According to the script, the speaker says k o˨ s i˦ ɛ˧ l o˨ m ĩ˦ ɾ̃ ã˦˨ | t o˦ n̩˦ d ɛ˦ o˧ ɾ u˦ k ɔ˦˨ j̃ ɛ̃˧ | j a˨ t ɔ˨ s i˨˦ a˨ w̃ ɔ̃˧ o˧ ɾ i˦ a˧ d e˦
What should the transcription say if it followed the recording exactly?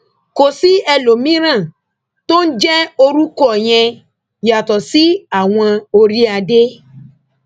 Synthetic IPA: k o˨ s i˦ ɛ˧ l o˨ m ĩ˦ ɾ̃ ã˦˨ | t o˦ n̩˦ d͡ʒ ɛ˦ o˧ ɾ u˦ k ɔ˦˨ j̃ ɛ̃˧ | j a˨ t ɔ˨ s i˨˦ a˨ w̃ ɔ̃˧ o˧ ɾ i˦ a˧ d e˦

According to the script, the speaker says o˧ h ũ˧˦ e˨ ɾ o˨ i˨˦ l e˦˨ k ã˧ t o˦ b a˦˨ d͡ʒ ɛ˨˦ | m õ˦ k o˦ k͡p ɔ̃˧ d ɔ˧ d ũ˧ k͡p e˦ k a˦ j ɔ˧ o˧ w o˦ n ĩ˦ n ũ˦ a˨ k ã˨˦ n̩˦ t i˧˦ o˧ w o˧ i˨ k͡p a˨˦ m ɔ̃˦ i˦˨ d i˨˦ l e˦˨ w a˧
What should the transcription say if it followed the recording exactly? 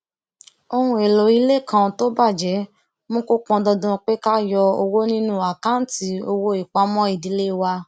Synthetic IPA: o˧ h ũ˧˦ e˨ l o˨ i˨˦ l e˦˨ k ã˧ t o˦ b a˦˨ d͡ʒ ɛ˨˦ | m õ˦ k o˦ k͡p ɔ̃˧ d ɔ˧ d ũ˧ k͡p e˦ k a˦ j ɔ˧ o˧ w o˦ n ĩ˦ n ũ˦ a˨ k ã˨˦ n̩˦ t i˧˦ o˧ w o˧ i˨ k͡p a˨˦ m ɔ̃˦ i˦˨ d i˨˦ l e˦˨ w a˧

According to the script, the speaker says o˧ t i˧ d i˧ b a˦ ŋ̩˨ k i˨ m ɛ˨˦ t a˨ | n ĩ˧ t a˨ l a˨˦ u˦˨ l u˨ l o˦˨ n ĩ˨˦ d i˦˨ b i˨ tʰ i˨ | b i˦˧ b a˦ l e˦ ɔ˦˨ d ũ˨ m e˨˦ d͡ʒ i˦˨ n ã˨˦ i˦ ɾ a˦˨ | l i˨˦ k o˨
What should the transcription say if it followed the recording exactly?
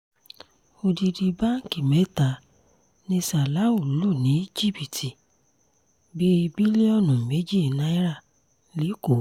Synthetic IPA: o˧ d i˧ d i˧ b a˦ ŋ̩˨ k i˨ m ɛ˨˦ t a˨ | n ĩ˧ s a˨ l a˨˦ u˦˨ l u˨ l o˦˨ n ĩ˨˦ d͡ʒ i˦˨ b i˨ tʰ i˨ | b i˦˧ b i˦ l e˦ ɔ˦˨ n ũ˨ m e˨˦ d͡ʒ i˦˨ n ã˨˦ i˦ ɾ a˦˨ | l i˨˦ k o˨

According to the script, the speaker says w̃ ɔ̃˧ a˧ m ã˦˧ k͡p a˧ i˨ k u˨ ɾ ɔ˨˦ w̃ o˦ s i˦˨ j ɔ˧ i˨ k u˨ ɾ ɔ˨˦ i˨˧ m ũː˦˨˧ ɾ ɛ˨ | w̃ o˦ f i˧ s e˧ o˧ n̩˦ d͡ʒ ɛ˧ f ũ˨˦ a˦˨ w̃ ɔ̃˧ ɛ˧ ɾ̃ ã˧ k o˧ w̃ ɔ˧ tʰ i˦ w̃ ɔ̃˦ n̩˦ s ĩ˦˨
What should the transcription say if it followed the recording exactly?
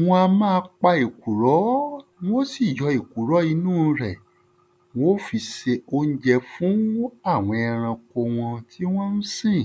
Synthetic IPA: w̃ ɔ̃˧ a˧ m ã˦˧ k͡p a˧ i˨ k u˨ ɾ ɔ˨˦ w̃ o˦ s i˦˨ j ɔ˧ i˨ k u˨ ɾ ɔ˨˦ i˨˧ n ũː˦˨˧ ɾ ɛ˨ | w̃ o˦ f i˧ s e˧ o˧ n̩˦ d͡ʒ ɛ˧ f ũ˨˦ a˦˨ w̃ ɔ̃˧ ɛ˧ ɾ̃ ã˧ k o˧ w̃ ɔ̃˧ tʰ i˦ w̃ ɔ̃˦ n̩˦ s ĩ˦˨

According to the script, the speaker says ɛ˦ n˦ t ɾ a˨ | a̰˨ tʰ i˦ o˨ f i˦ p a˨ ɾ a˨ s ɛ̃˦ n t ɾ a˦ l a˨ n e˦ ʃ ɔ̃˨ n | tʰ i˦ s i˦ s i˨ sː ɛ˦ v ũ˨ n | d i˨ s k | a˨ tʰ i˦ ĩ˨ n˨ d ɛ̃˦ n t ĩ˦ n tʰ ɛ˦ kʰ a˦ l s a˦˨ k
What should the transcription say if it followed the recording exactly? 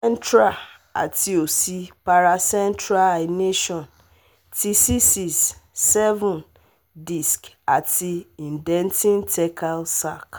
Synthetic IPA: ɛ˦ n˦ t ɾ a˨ | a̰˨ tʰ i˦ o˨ s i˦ p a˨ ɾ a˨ s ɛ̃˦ n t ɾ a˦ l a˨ n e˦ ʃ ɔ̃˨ n | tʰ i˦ s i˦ s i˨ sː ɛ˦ v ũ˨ n | d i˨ s k | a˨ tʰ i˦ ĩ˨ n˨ d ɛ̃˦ n t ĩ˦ n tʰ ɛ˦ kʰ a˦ l s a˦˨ k

